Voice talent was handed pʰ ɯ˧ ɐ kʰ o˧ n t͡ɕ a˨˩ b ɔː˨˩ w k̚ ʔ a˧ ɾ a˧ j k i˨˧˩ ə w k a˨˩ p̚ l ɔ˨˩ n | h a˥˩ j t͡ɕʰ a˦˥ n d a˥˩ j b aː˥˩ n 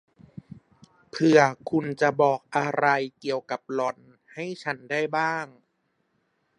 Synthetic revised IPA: pʰ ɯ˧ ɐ kʰ u˧ n t͡ɕ a˨˩ b ɔː˨˩ k̚ ʔ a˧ ɾ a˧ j k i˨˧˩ ə w k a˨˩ p̚ l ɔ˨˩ n | h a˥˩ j t͡ɕʰ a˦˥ n d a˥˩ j b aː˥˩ ŋ